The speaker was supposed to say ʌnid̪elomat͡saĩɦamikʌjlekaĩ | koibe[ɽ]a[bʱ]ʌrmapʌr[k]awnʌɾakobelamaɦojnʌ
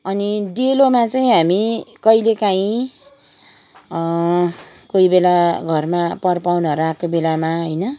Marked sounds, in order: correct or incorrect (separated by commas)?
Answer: incorrect, incorrect, incorrect